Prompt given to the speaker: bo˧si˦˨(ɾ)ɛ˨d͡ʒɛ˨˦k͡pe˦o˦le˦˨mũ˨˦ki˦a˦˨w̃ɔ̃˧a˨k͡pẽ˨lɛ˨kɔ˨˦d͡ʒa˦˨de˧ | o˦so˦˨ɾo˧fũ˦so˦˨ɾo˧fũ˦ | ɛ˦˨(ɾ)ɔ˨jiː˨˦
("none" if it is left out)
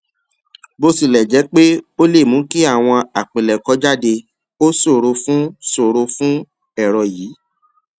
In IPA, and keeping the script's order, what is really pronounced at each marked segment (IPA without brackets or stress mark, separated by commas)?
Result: l, ɾ